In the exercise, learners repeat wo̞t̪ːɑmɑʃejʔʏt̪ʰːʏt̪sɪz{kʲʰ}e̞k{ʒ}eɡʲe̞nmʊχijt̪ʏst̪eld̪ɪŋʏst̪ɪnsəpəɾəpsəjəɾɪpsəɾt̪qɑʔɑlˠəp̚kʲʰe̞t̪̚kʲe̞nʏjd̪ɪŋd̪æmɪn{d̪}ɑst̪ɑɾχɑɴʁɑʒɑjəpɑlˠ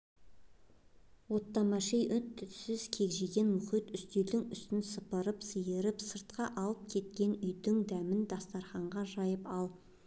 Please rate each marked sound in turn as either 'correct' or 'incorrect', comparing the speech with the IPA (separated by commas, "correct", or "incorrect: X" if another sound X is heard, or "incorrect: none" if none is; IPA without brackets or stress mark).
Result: correct, correct, correct